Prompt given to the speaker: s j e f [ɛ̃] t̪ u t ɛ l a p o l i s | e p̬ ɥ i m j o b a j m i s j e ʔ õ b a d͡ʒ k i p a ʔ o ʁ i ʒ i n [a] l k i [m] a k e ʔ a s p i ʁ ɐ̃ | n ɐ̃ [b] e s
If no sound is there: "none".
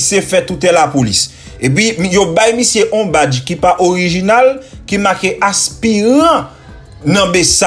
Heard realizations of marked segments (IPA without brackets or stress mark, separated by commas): ɛ, a, m, b